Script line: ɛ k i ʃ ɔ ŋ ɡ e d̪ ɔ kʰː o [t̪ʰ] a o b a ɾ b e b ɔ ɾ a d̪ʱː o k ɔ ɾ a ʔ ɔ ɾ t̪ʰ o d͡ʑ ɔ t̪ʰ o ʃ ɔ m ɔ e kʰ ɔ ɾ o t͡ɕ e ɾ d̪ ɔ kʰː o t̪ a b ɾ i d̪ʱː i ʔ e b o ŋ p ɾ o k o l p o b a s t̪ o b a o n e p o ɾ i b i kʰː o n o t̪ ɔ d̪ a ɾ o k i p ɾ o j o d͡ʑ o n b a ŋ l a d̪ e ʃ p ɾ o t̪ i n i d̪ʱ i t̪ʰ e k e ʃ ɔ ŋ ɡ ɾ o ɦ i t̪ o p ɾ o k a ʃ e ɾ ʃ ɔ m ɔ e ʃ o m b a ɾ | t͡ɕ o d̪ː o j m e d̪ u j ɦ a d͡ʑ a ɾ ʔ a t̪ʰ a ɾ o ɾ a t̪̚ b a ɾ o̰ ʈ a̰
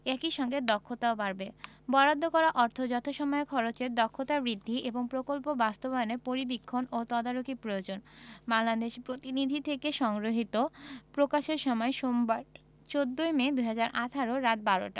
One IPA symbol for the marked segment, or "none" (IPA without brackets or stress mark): t̪